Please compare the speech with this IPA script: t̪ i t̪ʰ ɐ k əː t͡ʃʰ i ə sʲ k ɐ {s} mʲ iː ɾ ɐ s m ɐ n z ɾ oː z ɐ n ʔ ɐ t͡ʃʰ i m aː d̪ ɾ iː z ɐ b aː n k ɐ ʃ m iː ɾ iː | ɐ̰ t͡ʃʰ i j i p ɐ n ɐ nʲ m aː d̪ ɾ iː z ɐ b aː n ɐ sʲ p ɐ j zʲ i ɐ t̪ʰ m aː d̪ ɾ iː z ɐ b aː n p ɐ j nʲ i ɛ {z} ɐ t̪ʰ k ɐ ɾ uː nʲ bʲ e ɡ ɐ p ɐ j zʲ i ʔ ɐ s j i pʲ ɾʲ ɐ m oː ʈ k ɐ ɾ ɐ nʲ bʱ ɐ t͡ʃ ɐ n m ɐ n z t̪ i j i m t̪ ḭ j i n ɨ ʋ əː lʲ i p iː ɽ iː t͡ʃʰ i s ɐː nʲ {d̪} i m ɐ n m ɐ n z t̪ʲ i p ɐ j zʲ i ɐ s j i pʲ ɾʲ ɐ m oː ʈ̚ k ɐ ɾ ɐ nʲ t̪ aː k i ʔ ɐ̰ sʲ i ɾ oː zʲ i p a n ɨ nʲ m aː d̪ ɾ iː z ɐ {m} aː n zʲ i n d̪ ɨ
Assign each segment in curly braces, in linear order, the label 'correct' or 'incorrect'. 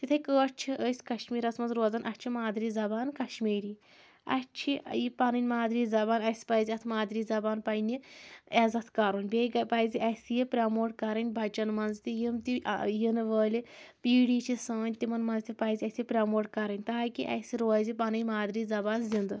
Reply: incorrect: ʃ, correct, incorrect: t̪, incorrect: b

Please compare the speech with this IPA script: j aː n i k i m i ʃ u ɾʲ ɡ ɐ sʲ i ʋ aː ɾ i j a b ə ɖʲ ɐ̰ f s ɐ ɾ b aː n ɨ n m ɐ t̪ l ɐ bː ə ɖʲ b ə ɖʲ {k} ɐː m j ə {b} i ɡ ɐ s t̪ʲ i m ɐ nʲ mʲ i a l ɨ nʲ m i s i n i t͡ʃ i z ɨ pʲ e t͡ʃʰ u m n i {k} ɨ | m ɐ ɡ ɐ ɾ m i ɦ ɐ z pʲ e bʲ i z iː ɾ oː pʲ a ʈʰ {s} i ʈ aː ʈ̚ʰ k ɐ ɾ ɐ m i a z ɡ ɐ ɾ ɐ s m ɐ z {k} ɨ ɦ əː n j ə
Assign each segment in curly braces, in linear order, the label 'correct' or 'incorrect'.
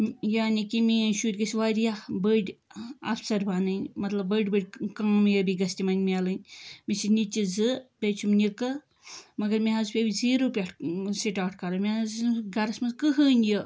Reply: correct, correct, correct, correct, correct

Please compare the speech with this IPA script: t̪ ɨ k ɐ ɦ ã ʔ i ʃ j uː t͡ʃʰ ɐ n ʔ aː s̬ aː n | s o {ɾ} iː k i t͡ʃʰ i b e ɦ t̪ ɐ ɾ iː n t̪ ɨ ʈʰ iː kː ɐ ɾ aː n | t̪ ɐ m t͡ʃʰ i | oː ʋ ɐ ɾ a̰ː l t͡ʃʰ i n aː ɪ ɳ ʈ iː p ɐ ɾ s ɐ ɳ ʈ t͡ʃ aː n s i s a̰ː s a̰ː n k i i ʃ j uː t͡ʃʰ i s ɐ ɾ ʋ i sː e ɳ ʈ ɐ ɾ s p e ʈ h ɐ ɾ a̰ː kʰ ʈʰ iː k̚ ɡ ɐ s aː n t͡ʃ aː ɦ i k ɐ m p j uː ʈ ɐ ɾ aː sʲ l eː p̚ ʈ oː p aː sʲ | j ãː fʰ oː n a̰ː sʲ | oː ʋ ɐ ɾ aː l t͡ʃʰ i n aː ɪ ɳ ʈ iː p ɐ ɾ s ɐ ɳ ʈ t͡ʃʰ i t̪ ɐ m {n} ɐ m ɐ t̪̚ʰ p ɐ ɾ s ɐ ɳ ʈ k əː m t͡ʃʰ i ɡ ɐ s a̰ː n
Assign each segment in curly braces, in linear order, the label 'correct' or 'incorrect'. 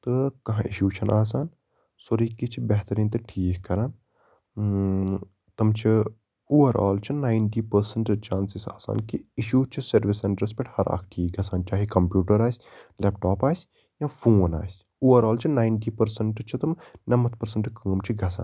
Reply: correct, correct

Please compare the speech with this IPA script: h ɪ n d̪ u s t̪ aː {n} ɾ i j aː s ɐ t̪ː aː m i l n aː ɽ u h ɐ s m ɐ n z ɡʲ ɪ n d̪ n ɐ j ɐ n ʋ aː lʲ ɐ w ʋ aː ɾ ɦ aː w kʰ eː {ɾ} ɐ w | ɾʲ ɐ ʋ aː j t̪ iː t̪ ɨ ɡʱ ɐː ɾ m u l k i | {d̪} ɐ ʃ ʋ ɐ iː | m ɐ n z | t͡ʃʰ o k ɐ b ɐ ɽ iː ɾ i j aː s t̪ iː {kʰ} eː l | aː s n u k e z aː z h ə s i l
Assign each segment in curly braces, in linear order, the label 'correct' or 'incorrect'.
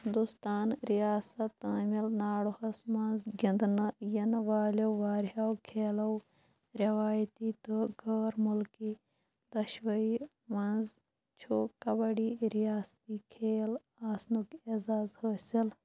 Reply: correct, incorrect: l, correct, correct

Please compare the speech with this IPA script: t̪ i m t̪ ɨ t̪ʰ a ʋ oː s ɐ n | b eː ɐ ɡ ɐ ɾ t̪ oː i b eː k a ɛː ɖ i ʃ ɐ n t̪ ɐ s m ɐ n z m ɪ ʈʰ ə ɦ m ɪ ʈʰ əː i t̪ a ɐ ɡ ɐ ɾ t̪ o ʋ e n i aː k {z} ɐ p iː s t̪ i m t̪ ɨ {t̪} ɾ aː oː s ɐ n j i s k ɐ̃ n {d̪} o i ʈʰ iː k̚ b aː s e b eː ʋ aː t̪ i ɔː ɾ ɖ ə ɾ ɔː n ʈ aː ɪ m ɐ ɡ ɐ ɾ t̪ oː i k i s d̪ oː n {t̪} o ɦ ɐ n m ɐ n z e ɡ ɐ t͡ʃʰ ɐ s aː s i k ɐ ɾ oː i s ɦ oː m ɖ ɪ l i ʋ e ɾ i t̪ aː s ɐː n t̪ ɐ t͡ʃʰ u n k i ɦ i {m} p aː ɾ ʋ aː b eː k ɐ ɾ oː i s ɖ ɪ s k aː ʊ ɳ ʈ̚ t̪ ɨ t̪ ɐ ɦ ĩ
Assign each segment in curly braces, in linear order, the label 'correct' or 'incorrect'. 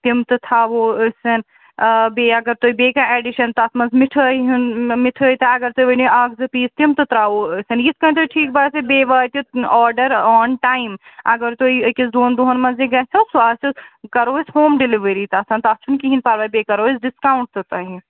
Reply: correct, correct, incorrect: t̪, incorrect: d̪, incorrect: n

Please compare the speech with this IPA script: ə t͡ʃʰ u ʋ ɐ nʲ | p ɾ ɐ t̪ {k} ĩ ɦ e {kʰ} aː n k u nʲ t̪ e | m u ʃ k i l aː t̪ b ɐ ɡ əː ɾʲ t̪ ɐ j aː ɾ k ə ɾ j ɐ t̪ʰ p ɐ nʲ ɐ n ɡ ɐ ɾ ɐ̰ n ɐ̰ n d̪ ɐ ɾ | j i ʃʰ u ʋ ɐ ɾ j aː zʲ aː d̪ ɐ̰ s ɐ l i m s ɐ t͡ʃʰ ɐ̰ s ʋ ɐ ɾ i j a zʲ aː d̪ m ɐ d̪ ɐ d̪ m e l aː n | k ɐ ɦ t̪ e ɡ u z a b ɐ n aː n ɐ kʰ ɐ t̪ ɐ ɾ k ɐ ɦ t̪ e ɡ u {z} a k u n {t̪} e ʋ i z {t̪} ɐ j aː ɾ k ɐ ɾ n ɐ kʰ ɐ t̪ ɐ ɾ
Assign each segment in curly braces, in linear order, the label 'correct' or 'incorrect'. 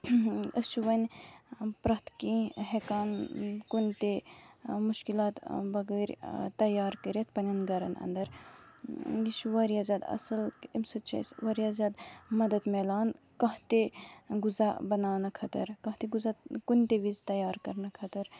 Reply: correct, incorrect: k, correct, correct, correct

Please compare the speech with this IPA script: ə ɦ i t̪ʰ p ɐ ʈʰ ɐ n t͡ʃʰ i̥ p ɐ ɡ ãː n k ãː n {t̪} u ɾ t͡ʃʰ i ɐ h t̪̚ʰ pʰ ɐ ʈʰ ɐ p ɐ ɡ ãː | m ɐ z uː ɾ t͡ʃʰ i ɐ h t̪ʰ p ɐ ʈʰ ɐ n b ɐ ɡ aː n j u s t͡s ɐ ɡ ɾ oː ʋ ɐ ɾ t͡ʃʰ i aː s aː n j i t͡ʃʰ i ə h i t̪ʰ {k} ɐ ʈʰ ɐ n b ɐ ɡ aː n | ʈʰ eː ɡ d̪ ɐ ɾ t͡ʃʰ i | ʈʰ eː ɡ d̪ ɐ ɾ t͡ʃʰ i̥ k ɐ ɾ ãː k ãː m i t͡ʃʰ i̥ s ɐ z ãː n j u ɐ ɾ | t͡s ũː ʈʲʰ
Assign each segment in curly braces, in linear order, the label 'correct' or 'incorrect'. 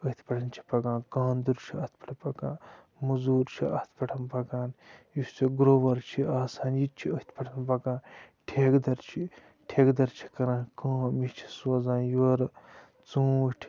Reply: incorrect: d̪, incorrect: p

